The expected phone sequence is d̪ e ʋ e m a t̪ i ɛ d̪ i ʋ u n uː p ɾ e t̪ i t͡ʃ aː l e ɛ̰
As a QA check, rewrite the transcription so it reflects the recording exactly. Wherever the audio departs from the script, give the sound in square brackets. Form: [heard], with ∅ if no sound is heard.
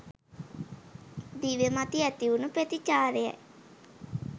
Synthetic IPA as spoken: d̪ [i] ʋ e m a t̪ i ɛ [t̪] i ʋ u n [u] p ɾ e t̪ i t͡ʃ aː [ɾ] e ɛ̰